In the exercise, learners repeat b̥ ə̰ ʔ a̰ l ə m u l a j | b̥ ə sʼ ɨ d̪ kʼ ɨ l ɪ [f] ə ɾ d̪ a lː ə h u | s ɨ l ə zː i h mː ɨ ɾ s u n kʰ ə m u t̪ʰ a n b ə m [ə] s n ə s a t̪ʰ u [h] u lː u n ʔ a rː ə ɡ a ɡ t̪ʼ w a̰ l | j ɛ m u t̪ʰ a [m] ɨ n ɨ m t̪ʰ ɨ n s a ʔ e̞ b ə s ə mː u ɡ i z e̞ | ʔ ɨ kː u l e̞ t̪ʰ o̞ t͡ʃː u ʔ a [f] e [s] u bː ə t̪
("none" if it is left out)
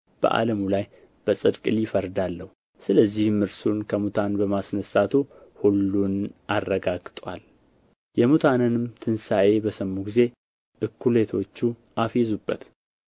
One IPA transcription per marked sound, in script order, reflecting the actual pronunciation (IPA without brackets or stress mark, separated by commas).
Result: f, a, h, n, f, z